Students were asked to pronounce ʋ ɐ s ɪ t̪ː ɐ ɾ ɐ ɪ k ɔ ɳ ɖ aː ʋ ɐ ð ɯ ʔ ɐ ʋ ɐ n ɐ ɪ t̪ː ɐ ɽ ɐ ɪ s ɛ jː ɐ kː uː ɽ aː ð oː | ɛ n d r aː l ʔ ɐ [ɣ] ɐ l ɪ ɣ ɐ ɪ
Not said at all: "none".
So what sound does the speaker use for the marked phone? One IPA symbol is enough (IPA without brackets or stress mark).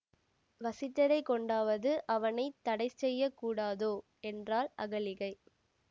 ɣ